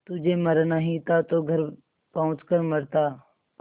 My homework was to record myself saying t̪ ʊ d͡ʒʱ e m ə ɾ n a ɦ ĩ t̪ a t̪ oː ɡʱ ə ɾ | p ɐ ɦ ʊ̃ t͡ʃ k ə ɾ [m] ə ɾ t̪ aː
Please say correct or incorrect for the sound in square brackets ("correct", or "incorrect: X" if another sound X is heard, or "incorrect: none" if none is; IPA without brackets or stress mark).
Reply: correct